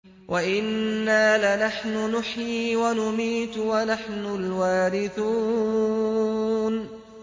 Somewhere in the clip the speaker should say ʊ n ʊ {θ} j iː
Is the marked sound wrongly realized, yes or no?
yes